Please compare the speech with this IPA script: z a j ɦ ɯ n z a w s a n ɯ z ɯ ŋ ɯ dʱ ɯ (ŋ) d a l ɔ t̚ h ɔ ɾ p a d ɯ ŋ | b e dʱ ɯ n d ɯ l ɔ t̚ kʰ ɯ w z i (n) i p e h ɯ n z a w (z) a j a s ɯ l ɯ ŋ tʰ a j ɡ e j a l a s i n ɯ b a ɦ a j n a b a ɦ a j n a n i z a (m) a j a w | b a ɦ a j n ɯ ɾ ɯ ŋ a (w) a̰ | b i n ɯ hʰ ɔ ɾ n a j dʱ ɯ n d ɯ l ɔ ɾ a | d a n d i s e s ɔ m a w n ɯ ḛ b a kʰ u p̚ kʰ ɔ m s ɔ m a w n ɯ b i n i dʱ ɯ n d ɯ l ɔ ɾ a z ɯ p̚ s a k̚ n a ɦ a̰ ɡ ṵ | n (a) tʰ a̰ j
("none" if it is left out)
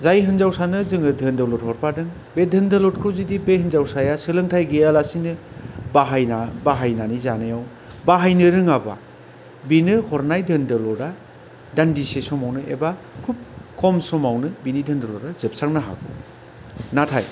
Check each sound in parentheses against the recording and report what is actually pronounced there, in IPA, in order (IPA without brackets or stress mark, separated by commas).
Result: n, d, s, n, b, a